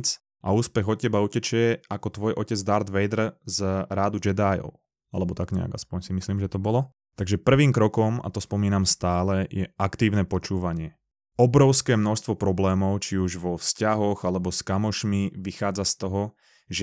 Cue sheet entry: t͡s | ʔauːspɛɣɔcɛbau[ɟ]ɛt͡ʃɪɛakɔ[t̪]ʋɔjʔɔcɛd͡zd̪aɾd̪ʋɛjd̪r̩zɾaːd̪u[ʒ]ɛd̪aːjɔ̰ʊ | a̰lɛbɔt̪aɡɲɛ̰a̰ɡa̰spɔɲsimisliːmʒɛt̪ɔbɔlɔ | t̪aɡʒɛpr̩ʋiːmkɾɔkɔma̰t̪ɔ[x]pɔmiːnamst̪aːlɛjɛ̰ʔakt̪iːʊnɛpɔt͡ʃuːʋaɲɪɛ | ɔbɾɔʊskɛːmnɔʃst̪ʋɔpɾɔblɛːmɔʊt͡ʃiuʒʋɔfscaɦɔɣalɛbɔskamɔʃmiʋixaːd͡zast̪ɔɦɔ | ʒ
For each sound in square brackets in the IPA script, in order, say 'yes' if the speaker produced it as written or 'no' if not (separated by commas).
no, yes, no, no